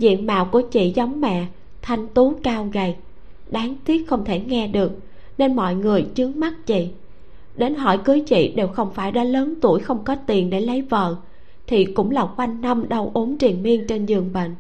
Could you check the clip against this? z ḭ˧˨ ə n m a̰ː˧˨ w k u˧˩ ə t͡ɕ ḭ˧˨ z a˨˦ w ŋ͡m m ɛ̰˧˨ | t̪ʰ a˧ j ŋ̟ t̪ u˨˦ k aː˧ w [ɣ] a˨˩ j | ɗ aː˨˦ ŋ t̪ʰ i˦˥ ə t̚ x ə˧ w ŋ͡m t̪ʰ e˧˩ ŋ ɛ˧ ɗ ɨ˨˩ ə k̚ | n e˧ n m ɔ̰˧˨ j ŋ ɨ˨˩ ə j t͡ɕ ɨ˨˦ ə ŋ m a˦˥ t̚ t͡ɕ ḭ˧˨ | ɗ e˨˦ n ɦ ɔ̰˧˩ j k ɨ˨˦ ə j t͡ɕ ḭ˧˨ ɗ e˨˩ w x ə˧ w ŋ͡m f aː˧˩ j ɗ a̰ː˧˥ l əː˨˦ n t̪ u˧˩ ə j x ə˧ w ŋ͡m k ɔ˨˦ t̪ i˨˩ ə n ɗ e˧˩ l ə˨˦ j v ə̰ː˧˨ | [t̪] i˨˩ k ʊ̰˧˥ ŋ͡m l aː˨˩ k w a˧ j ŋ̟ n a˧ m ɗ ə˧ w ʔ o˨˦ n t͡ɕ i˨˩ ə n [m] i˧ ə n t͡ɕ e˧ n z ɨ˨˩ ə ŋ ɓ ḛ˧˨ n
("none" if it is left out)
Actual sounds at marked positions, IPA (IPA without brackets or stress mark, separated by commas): ɣ, t̪ʰ, m